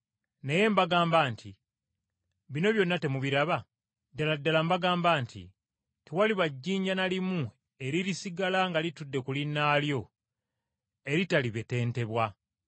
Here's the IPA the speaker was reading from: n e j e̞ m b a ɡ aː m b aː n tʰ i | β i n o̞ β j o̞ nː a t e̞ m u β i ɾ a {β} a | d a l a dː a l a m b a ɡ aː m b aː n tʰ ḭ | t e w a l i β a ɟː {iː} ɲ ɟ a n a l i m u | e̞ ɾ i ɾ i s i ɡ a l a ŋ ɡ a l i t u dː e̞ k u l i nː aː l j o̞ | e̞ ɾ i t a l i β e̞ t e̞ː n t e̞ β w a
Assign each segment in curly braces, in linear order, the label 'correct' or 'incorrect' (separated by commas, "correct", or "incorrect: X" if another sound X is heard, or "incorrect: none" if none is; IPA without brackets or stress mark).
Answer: correct, correct